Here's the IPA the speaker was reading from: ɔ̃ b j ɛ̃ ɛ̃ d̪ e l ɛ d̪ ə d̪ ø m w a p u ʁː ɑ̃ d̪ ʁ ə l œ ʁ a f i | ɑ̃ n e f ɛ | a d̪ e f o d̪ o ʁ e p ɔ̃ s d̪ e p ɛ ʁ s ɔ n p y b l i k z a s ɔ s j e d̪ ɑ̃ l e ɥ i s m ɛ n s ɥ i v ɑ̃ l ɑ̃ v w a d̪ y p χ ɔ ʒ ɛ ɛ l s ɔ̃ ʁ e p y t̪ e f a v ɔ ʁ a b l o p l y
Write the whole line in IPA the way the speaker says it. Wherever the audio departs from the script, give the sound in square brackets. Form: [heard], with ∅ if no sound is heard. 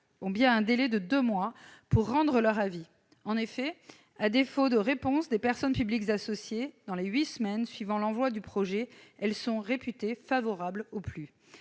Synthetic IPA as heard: ɔ̃ b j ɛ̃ ɛ̃ d̪ e l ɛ d̪ ə d̪ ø m w a p u ʁː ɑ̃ d̪ ʁ ə l œ ʁ a [v] i | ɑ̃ n e f ɛ | a d̪ e f o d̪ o ʁ e p ɔ̃ s d̪ e p ɛ ʁ s ɔ n p y b l i k z a s ɔ s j e d̪ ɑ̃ l e ɥ i s m ɛ n s ɥ i v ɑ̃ l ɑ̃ v w a d̪ y p χ ɔ ʒ ɛ ɛ l s ɔ̃ ʁ e p y t̪ e f a v ɔ ʁ a b l o p l y